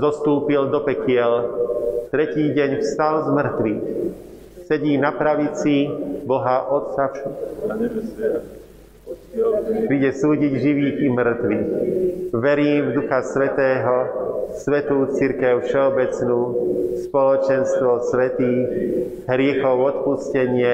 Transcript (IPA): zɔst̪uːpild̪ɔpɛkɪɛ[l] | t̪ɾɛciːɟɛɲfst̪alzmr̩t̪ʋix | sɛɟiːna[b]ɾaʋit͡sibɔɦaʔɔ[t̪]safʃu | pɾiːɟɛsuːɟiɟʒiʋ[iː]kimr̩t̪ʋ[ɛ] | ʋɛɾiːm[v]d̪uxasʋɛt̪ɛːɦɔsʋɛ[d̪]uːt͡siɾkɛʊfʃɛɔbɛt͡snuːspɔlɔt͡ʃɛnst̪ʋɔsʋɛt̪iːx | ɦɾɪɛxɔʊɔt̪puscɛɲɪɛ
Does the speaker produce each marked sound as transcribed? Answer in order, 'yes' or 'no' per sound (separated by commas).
yes, no, yes, yes, no, yes, no